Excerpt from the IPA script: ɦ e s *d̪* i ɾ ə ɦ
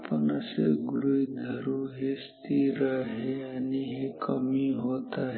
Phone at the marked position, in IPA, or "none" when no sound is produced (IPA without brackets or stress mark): t̪